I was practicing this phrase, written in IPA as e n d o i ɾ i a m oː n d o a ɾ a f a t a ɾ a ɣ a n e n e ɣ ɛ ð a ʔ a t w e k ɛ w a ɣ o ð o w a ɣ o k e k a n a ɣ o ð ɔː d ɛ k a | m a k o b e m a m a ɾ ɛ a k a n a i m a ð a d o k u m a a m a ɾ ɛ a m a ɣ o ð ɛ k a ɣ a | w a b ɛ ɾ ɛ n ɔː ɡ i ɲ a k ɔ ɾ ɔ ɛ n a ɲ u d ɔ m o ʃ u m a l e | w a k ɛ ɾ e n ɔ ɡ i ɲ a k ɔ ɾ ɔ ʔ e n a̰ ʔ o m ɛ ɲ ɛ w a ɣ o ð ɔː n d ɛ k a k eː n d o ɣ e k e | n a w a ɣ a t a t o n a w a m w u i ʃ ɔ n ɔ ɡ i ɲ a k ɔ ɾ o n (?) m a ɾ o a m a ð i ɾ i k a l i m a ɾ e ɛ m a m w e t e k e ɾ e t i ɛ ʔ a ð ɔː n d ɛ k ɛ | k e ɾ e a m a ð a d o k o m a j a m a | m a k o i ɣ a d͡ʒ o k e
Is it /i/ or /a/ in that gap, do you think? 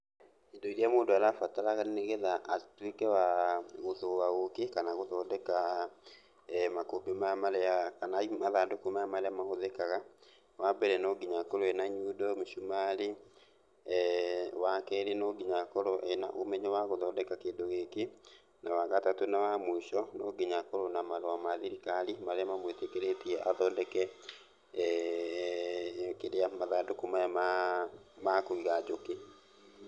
a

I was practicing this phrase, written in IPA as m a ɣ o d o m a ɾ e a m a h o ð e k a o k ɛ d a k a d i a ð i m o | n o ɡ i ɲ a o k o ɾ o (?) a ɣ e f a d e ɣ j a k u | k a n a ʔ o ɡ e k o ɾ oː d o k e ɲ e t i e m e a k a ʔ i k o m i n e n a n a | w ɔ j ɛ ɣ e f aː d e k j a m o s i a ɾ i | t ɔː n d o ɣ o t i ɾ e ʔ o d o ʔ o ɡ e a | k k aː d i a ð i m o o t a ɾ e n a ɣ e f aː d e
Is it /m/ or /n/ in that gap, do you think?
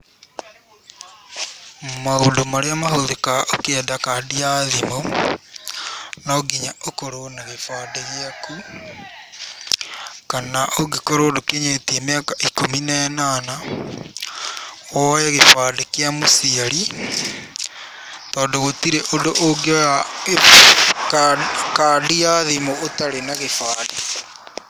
n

